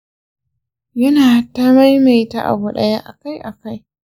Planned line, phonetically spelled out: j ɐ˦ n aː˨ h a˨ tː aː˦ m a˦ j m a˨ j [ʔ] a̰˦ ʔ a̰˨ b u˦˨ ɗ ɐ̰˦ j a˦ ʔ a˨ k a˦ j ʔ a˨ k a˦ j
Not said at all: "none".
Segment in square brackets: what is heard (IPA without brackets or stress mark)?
t